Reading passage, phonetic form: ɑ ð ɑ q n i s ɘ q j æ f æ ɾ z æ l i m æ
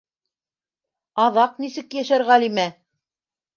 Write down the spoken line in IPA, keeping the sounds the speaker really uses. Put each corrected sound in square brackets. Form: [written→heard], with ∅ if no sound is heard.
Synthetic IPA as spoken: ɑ ð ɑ q n i s ɘ [q→k] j æ [f→ʃ] æ ɾ [z→ʁ] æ l i m æ